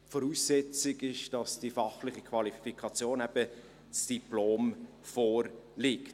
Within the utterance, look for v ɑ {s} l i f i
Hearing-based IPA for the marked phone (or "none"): none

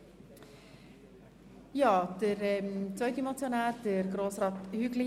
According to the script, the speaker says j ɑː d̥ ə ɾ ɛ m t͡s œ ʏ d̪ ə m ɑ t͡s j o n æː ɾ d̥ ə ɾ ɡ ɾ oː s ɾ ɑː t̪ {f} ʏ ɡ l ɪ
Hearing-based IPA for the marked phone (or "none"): h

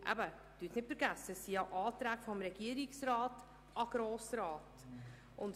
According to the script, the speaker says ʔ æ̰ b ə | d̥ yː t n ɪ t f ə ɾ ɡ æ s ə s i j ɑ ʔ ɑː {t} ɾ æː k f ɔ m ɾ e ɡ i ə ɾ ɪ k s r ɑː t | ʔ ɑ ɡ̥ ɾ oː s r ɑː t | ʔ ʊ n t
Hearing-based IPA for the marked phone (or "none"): t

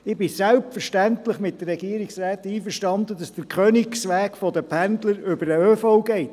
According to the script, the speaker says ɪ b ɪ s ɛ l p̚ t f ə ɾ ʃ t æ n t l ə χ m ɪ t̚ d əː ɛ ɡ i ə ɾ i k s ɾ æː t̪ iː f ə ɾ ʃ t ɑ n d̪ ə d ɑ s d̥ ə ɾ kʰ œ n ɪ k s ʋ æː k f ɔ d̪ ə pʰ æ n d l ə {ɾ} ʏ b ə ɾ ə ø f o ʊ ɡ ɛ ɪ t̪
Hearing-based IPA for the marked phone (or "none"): ɾ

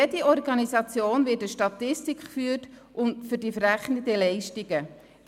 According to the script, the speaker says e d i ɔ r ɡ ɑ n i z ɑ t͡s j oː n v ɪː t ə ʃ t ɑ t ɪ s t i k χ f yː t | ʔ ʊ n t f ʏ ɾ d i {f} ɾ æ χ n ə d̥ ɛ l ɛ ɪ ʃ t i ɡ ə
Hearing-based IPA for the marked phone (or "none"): f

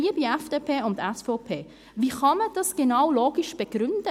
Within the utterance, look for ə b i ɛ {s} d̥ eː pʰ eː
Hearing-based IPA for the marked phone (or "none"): f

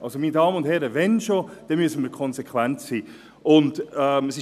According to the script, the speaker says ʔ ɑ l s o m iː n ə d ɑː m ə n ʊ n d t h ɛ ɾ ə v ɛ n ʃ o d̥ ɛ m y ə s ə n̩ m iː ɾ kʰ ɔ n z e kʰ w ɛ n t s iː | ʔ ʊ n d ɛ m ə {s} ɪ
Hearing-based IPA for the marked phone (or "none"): s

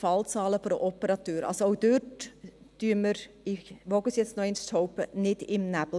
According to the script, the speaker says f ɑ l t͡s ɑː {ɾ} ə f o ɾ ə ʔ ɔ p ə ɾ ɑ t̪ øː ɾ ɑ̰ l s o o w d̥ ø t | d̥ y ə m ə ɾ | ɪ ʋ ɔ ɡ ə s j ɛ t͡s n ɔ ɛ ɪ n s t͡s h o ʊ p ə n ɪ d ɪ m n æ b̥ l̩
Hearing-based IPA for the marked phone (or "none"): l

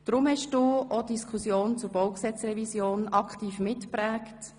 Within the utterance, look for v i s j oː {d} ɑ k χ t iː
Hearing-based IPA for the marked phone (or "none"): n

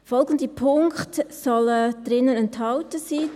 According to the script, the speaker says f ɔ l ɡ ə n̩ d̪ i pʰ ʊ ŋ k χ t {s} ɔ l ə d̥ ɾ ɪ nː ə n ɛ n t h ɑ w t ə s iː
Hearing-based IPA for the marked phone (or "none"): s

